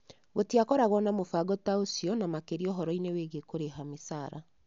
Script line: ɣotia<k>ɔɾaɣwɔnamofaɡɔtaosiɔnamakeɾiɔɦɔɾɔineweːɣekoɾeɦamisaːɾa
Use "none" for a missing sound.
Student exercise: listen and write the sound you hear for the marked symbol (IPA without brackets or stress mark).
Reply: k